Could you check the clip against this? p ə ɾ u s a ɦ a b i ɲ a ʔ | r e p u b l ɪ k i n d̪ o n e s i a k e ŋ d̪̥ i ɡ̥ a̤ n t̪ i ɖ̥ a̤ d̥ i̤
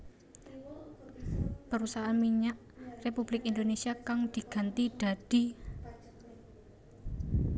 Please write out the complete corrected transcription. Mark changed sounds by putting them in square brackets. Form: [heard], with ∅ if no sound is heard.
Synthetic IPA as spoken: p ə ɾ u s a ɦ a [m] i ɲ a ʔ | r e p u b l ɪ k i n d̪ o n e s i a k [a] ŋ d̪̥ i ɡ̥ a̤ n t̪ i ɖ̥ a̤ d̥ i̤

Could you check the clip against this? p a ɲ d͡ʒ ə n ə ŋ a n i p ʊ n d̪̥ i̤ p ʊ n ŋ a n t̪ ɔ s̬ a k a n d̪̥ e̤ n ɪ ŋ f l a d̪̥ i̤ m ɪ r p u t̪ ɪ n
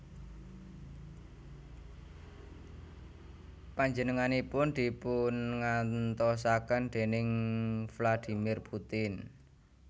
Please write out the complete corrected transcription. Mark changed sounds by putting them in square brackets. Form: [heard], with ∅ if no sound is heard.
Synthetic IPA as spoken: p a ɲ d͡ʒ ə n ə ŋ a n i p ʊ n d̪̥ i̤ p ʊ n ŋ a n t̪ ɔ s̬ a k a n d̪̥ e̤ n ɪ ŋ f l a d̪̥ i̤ m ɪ r p u t̪ ɪ n

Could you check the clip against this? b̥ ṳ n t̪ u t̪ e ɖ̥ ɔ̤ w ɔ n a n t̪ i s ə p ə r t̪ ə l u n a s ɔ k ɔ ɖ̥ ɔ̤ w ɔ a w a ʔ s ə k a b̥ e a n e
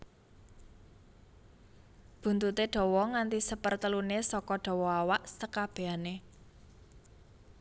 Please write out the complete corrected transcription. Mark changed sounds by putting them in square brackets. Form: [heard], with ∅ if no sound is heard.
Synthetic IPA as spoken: b̥ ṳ n t̪ u t̪ e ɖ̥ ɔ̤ w ɔ [ŋ] a n t̪ i s ə p ə r t̪ ə l u n [e] s ɔ k ɔ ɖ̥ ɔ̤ w ɔ a w a ʔ s ə k a b̥ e a n e

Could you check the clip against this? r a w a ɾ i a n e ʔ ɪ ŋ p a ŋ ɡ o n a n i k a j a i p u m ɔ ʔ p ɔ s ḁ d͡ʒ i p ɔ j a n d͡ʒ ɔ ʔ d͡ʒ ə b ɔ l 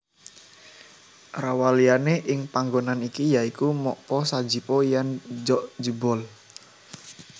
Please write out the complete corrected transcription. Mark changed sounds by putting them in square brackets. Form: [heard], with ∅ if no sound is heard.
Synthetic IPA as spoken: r a w a [l] i a n e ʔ ɪ ŋ p a ŋ ɡ o n a n i k [i] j a i [k] u m ɔ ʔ p ɔ s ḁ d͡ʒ i p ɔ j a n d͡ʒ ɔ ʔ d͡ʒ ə b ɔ l

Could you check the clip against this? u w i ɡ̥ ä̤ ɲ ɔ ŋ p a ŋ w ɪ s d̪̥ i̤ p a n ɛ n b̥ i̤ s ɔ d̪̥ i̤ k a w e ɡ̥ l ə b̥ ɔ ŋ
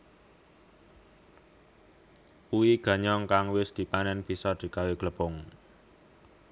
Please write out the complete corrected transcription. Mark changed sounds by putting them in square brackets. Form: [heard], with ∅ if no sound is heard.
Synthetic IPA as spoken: u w i ɡ̥ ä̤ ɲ ɔ ŋ [k] a ŋ w ɪ s d̪̥ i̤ p a n ɛ n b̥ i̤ s ɔ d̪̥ i̤ k a w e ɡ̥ l ə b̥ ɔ ŋ

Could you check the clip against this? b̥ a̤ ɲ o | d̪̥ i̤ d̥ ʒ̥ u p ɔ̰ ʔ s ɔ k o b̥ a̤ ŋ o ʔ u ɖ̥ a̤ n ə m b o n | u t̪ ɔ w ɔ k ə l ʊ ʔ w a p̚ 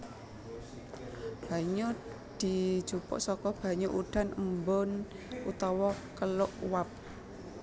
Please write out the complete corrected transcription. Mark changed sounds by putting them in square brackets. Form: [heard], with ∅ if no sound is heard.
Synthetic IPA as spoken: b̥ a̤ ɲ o | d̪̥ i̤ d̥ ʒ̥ u p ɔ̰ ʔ s ɔ k [ɔ] b̥ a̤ [ɲ] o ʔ u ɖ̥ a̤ n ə m b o n | u t̪ ɔ w ɔ k ə l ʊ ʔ w a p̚

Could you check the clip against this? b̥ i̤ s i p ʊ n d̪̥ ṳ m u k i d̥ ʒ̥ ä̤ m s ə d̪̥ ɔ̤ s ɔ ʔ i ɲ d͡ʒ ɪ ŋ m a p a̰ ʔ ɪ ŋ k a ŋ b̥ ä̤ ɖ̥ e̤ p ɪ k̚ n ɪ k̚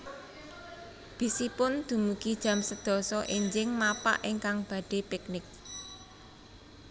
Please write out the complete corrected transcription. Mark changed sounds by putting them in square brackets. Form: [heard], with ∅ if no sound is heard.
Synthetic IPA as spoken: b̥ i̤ s i p ʊ n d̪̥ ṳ m u k i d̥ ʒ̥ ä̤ m s ə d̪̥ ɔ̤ s ɔ ʔ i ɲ d͡ʒ ɪ ŋ m a p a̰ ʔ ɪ ŋ k a ŋ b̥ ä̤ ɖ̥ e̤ p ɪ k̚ n ɪ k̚

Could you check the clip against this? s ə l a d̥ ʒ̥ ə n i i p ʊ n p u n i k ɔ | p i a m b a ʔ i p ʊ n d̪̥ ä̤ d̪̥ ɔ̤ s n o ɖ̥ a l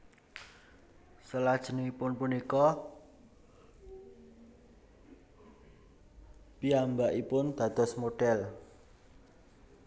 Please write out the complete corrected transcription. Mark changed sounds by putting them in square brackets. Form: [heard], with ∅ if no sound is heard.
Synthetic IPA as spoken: s ə l a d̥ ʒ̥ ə n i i p ʊ n p u n i k ɔ | p i a m b a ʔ i p ʊ n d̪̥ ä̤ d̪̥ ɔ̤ s [m] o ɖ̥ [ɛ] l

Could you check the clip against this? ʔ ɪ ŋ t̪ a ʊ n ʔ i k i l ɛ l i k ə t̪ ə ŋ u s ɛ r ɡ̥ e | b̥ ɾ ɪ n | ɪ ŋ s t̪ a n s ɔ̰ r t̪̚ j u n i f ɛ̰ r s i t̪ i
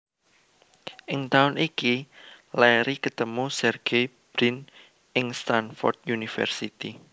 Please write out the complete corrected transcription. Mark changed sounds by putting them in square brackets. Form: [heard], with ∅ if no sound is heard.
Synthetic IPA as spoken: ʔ ɪ ŋ t̪ a ʊ n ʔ i k i l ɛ [ɾ] i k ə t̪ ə [m] u s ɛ r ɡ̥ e | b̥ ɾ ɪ n | ɪ ŋ s t̪ a n [f] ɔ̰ r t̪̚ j u n i f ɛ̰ r s i t̪ i

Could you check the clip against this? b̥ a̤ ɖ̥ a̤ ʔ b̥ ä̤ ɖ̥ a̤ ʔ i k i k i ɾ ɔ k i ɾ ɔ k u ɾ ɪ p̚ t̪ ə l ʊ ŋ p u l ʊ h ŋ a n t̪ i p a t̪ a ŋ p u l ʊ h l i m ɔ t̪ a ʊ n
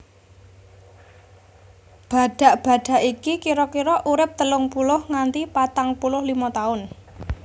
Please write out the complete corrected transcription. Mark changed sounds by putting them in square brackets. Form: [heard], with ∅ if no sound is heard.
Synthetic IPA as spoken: b̥ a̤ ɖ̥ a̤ ʔ b̥ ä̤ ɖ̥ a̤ ʔ i k i k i ɾ ɔ k i ɾ ɔ [ʔ] u ɾ ɪ p̚ t̪ ə l ʊ ŋ p u l ʊ h ŋ a n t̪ i p a t̪ a ŋ p u l ʊ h l i m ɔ t̪ a ʊ n

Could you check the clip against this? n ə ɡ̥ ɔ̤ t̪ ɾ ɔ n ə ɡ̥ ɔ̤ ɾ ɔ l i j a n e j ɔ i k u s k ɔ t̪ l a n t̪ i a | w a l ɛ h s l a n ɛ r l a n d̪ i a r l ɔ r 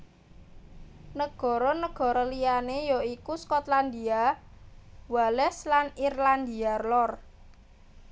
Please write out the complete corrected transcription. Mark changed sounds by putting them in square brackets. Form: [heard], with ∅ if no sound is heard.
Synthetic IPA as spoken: n ə ɡ̥ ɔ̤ [∅] ɾ ɔ n ə ɡ̥ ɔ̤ ɾ ɔ l i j a n e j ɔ i k u s k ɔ t̪ l a n [d̪] i a | w a l ɛ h s l a n [i] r l a n d̪ i a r l ɔ r

